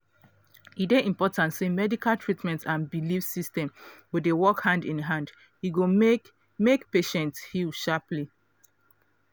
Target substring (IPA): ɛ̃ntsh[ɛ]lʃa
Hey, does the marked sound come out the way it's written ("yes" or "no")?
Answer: no